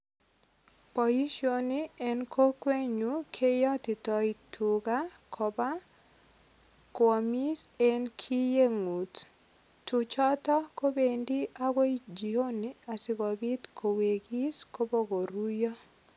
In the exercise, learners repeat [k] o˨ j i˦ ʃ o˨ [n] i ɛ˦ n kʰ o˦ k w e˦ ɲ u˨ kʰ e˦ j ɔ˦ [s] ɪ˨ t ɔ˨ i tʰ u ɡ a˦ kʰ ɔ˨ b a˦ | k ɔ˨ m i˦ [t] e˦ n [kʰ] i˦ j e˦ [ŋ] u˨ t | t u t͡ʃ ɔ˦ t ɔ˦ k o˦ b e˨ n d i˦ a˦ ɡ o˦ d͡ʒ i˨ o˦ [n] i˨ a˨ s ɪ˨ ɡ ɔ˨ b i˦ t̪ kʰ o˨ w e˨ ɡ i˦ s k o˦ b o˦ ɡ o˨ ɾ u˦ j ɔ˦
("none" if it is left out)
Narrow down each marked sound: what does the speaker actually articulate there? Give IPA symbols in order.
p, n, t, s, kʰ, ŋ, n

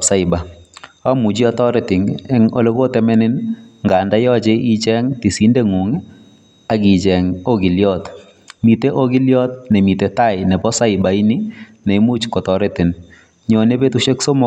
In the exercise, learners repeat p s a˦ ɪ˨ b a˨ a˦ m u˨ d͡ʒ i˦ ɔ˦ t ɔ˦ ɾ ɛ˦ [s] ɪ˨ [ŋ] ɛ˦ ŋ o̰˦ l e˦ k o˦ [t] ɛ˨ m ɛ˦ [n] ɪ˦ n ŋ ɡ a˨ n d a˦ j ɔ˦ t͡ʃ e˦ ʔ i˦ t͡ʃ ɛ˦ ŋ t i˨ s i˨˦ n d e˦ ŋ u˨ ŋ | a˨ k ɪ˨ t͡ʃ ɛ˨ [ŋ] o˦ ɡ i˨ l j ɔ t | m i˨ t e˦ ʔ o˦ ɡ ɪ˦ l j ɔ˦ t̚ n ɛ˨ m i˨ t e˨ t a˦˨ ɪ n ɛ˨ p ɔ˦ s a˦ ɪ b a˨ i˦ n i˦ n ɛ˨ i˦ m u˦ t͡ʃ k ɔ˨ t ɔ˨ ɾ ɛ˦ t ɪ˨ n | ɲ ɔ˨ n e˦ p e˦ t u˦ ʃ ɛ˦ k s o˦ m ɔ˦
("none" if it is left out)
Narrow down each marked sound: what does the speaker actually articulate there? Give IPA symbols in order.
t, ŋ, t, n, ŋ

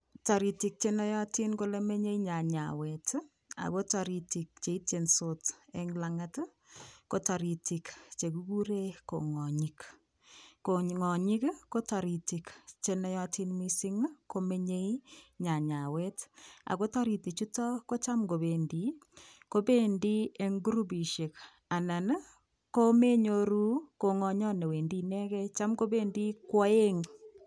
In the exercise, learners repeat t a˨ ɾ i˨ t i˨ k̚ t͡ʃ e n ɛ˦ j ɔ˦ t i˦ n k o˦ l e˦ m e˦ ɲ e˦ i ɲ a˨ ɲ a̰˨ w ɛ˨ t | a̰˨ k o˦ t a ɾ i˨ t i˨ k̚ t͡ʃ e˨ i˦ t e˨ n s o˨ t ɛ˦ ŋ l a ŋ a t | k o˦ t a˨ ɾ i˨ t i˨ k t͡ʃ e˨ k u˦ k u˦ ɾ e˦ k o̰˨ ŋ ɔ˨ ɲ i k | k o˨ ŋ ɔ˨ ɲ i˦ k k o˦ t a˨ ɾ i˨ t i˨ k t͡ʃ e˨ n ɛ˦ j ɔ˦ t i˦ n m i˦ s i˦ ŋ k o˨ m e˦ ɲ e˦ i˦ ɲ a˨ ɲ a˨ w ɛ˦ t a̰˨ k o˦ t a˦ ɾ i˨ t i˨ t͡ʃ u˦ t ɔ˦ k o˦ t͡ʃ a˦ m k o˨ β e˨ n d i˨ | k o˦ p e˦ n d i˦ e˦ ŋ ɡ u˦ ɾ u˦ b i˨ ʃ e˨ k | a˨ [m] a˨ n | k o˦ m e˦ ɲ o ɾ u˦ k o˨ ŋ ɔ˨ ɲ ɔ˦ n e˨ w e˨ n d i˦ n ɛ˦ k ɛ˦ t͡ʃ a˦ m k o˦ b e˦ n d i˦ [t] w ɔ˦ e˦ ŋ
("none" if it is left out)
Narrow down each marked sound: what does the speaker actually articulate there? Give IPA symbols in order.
n, k

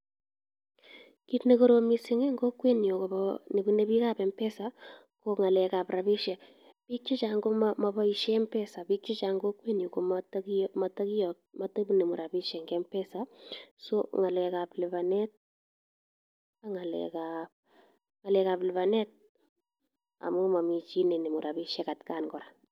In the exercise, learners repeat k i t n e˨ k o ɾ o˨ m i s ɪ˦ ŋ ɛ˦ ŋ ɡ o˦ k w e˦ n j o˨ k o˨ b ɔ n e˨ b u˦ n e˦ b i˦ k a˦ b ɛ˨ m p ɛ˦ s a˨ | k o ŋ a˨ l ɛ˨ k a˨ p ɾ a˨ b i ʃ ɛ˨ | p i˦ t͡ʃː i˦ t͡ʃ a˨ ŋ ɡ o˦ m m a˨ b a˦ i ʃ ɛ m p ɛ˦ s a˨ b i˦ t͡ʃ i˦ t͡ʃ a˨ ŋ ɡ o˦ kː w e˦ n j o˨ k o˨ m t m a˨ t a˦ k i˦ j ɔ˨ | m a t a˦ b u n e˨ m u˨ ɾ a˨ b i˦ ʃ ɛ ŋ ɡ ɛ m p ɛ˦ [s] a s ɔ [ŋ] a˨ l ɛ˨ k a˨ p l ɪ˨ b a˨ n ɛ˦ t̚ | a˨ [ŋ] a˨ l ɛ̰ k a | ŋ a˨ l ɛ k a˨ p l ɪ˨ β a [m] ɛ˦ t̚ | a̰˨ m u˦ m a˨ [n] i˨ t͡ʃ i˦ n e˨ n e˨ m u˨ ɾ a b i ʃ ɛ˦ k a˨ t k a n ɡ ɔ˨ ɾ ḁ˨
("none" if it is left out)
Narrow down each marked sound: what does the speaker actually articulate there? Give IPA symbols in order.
s, ŋ, ŋ, n, m

